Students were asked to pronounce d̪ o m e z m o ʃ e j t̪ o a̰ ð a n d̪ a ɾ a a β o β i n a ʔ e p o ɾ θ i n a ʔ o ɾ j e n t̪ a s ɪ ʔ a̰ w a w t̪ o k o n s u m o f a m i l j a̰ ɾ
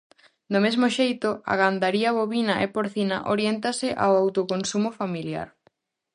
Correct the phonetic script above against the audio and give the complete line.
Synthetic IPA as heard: d̪ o m e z m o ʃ e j t̪ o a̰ ɣ a n d̪ a ɾ i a β o β i n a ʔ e p o ɾ θ i n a ʔ o ɾ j e n t̪ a s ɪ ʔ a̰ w a w t̪ o k o n s u m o f a m i l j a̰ ɾ